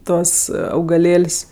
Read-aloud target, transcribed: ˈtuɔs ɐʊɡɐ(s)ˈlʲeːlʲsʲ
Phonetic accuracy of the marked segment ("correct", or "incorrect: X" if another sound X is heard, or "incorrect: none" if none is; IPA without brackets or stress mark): incorrect: none